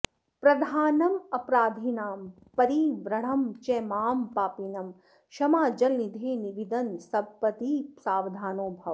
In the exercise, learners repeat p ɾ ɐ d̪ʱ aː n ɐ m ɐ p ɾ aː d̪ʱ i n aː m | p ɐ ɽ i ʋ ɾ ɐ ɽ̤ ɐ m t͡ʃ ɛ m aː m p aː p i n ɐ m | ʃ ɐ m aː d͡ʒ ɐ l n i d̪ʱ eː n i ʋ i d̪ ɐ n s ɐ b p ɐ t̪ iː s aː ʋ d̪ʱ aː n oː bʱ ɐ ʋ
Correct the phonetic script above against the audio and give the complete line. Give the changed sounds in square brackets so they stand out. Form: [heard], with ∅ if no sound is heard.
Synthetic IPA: p ɾ ɐ d̪ʱ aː n ɐ m ɐ p ɾ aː d̪ʱ i n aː m | p ɐ [ɾ] i ʋ ɾ ɐ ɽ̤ ɐ m t͡ʃ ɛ m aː m p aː p i n ɐ m | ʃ ɐ m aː d͡ʒ ɐ l n i d̪ʱ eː n i ʋ i d̪ ɐ n s ɐ b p ɐ t̪ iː s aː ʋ d̪ʱ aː n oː bʱ ɐ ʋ

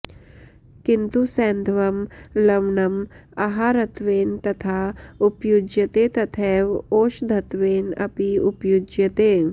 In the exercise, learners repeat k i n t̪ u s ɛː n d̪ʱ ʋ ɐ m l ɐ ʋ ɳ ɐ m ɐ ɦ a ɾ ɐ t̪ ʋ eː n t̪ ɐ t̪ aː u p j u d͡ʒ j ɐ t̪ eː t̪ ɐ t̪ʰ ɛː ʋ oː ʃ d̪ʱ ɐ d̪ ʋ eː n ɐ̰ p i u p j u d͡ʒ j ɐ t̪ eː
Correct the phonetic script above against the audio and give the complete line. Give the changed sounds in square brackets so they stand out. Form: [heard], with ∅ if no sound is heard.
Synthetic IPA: k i n t̪ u s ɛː n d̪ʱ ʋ ɐ m l ɐ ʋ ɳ ɐ m ɐ ɦ a ɾ ɐ t̪ ʋ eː n t̪ ɐ [t̪ʰ] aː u p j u d͡ʒ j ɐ t̪ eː t̪ ɐ t̪ʰ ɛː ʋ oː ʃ d̪ʱ ɐ [t̪] ʋ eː n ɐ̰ p i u p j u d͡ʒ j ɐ t̪ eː

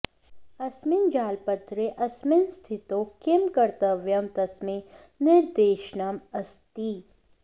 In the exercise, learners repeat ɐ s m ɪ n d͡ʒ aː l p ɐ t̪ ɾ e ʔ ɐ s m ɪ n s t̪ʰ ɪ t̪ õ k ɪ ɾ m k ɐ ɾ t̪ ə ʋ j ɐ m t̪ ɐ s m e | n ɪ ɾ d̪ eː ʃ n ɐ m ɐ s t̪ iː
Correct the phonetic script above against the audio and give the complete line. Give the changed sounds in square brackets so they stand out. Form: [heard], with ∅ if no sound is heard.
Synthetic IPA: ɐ s m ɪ n d͡ʒ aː l p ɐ t̪ ɾ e ʔ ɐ s m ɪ n s t̪ʰ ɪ t̪ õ k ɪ [∅] m k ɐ ɾ t̪ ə ʋ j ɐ m t̪ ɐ s m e | n ɪ ɾ d̪ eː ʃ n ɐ m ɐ s t̪ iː

